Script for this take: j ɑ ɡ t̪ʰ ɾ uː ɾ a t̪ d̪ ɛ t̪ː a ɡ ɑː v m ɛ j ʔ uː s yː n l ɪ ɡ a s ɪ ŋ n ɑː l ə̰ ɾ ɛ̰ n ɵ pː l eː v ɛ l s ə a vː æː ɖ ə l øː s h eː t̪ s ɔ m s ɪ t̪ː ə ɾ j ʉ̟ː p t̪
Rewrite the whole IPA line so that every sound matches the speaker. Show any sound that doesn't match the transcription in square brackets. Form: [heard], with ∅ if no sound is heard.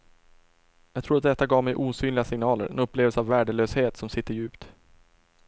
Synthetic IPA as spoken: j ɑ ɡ t̪ʰ ɾ uː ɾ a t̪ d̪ ɛ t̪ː a ɡ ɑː v m ɛ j ʔ uː s yː n l ɪ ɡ a s ɪ ŋ n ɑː l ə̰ ɾ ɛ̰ n ɵ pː l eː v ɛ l s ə a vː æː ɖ ə l øː s h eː t̪ s ɔ m s ɪ t̪ː ə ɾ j ʉ̟ː p t̪